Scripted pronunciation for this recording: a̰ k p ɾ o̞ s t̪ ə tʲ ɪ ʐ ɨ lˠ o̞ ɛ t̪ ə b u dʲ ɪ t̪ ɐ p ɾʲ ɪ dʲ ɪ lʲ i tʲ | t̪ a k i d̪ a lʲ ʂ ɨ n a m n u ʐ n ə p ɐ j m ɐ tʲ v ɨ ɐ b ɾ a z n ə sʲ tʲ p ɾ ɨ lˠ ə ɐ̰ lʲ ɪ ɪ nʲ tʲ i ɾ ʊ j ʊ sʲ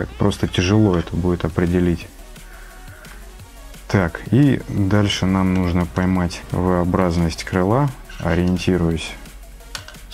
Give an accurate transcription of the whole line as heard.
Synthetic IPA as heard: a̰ k p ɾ o̞ s t̪ ə tʲ ɪ ʐ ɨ lˠ o̞ ɛ t̪ ə b u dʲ ɪ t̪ ɐ p ɾʲ ɪ dʲ ɪ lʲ i tʲ | t̪ a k i d̪ a lʲ ʂ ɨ n a m n u ʐ n ə p ɐ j m a tʲ v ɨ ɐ b ɾ a z n ə sʲ tʲ k ɾ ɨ lˠ a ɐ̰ ɾʲ ɪ ɪ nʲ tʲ i ɾ ʊ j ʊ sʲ